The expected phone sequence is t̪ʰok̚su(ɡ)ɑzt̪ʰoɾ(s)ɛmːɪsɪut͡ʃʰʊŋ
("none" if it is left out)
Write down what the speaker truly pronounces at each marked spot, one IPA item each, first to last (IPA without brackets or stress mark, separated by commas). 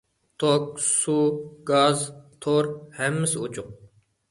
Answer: ɡ, h